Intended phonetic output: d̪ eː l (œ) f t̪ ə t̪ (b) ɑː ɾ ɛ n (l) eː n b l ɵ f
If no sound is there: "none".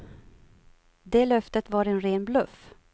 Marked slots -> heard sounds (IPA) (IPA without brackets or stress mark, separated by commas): œ, v, ɾ